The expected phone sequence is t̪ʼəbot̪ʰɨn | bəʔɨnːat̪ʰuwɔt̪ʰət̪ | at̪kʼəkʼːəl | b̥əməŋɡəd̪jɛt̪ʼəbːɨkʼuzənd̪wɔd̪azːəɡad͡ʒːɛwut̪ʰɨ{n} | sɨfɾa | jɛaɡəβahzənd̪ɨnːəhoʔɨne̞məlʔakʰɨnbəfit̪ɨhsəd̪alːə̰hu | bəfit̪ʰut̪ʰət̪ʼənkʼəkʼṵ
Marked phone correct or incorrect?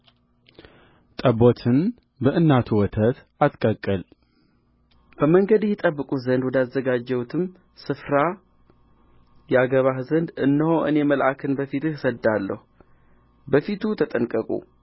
incorrect: m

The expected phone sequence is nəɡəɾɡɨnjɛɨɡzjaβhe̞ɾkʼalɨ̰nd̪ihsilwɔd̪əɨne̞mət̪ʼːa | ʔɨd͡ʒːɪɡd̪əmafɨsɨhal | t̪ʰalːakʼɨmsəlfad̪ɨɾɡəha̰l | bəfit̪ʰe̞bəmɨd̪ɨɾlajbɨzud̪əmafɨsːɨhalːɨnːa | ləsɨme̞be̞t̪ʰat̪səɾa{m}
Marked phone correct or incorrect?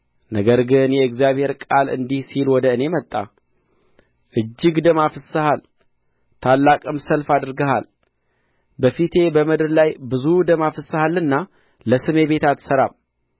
correct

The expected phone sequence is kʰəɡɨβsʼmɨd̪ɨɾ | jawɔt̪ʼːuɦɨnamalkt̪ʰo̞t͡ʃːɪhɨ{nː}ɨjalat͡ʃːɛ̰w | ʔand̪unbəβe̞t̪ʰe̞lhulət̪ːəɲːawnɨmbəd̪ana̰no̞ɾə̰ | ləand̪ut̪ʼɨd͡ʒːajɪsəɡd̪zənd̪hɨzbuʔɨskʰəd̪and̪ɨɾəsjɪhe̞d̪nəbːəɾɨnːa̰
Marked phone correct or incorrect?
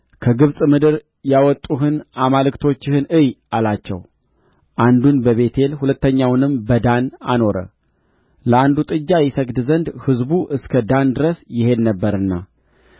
incorrect: n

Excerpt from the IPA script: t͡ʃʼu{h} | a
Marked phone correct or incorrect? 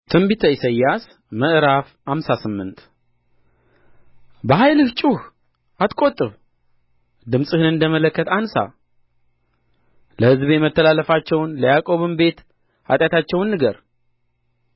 correct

